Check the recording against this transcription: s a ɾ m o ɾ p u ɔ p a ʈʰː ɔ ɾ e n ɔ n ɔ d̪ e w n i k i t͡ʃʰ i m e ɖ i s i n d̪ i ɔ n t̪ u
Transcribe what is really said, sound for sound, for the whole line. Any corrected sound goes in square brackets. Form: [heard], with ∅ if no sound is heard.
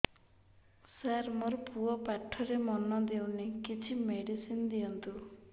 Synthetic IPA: s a ɾ m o ɾ p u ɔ p a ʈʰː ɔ ɾ e [m] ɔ n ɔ d̪ e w n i k i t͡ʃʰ i m e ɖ i s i n d̪ i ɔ n t̪ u